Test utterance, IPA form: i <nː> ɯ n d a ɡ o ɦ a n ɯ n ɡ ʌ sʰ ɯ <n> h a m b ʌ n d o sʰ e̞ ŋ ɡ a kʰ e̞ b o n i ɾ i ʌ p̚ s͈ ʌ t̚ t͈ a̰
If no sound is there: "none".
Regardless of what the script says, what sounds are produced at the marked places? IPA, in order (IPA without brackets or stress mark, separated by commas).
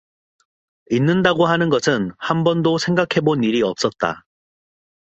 nː, n